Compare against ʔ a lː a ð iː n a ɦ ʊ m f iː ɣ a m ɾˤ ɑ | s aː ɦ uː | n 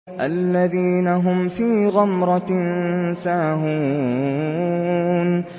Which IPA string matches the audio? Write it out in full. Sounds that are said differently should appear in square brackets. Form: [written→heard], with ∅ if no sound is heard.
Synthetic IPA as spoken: ʔ a lː a ð iː n a ɦ ʊ m f iː ɣ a m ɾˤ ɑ | s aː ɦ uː | n